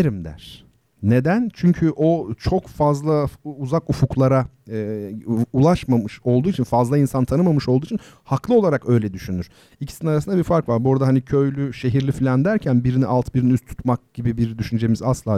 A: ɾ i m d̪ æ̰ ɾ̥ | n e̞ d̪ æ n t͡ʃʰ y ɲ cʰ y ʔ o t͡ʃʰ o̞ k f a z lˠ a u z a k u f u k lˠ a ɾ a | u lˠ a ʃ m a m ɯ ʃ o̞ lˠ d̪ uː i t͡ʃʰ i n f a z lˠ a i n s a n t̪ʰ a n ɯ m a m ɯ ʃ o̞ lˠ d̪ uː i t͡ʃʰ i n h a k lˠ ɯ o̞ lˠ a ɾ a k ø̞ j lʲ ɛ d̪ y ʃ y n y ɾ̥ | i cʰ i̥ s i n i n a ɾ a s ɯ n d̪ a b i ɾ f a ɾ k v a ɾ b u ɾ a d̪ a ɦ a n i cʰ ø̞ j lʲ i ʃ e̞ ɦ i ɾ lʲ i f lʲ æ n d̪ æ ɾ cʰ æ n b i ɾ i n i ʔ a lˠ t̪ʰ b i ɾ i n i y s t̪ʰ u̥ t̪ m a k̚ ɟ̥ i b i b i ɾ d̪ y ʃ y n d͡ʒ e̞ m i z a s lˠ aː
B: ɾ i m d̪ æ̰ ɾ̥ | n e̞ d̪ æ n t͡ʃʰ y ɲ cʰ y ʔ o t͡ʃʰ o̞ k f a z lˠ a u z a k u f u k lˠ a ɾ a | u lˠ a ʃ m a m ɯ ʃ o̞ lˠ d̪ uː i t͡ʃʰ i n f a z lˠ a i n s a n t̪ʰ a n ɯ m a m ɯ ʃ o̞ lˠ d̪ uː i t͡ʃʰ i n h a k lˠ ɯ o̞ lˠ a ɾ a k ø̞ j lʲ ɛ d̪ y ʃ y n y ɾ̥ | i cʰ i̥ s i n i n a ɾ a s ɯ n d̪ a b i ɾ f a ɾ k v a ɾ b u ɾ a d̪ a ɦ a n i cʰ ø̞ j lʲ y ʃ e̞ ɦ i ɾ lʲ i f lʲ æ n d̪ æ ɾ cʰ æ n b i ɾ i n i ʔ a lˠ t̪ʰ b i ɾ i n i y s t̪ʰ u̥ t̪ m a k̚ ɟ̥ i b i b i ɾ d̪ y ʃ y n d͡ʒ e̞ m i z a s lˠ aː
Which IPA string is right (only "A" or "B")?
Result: B